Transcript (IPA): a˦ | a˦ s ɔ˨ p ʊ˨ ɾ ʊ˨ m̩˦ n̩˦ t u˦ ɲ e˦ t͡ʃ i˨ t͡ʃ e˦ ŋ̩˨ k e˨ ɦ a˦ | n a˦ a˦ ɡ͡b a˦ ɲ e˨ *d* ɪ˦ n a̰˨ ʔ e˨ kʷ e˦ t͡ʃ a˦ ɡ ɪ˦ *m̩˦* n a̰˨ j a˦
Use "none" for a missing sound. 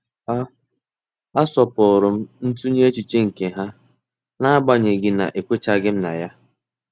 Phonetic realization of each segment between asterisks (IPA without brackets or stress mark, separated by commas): ɡ, m̩˦